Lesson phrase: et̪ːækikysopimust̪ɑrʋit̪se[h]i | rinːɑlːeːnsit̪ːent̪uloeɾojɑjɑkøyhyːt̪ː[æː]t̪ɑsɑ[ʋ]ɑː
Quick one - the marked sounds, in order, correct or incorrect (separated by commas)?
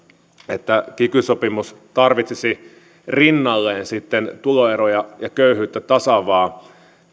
incorrect, incorrect, correct